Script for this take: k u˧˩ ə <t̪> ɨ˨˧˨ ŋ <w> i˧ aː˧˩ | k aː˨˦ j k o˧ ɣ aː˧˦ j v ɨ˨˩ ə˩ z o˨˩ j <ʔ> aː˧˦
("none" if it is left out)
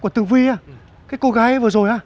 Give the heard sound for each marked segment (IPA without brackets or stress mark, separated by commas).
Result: t̪, v, ʔ